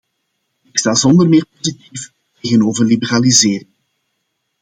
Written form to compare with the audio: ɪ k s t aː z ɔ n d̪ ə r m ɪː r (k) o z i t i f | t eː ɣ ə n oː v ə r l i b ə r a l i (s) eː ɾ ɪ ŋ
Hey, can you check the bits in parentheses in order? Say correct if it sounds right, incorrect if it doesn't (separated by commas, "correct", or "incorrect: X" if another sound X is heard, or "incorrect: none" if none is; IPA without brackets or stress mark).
incorrect: p, incorrect: z